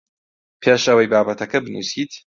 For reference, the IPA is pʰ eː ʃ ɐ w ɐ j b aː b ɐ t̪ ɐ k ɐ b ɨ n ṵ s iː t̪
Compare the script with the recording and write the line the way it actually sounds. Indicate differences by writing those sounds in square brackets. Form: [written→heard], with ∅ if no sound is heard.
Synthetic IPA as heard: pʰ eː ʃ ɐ w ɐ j b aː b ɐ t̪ ɐ k ɐ b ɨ n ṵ s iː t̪